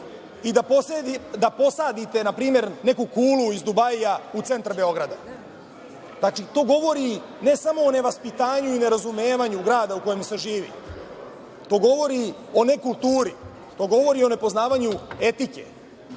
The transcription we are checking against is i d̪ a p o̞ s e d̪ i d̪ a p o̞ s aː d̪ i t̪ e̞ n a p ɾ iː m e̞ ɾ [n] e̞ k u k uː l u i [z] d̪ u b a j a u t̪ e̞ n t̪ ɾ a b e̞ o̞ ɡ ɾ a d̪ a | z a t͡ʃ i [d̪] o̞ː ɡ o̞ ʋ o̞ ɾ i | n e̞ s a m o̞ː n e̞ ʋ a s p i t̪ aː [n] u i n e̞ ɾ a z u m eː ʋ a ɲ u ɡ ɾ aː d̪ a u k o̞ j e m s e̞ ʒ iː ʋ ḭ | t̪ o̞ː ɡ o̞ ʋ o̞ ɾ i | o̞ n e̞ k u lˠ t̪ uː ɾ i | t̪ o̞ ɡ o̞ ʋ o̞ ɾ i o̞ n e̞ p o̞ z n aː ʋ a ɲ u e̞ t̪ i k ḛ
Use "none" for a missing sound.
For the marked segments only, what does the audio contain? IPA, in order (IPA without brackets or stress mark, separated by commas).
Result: n, z, t̪, ɲ